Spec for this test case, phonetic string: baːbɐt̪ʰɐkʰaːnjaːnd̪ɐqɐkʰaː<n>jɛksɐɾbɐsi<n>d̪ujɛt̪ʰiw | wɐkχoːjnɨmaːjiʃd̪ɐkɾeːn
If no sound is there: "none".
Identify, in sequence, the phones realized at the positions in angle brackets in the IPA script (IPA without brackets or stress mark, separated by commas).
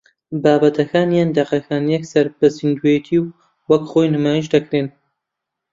n, n